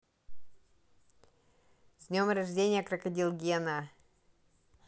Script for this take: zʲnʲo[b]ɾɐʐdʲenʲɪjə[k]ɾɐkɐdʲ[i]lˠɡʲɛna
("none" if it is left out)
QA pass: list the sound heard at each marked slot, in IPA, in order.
m, k, i

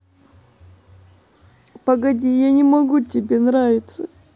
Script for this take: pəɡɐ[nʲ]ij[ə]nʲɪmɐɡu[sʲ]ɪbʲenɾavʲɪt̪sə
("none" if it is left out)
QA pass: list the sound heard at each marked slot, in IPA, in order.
dʲ, a, tʲ

